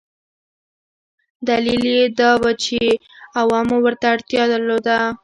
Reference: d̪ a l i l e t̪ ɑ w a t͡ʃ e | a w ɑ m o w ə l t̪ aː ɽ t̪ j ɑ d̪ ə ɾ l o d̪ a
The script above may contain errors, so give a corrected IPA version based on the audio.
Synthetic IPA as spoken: d̪ a l i l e d̪ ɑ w a t͡ʃ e | a w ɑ m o w ə ɾ t̪ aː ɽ t̪ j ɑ d̪ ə ɾ l o d̪ a